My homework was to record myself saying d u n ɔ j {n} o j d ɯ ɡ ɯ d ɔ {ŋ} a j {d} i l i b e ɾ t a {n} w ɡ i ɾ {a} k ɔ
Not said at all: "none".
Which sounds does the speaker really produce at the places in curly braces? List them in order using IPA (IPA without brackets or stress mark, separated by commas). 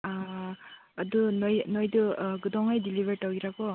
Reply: n, ŋ, d, none, a